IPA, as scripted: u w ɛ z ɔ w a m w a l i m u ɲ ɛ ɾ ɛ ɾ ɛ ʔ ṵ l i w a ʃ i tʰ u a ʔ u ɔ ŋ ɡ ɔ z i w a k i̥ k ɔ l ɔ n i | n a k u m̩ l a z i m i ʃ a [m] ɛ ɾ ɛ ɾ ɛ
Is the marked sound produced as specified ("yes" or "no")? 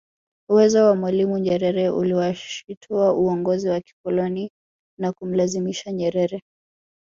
no